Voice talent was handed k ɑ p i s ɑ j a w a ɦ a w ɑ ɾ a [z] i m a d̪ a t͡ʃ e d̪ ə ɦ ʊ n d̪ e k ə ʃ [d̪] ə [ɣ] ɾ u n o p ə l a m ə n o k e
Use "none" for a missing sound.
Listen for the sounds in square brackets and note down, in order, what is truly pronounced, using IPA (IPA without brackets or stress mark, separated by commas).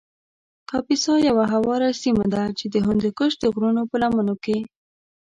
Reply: s, d̪, ɣ